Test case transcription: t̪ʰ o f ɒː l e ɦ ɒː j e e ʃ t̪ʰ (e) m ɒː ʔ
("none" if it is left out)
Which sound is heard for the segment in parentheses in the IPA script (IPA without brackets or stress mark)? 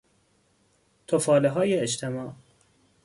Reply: e